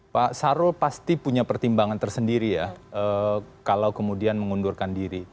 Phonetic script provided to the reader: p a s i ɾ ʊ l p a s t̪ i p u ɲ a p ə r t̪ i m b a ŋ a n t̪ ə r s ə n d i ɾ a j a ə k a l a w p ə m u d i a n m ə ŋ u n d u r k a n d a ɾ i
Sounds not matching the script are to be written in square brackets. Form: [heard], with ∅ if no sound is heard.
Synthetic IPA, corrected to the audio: p a s [a] ɾ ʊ l p a s t̪ i p u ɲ a p ə r t̪ i m b a ŋ a n t̪ ə r s ə n d i ɾ [i] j a ə k a l a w [k] ə m u d i a n m ə ŋ u n d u r k a n d [i] ɾ i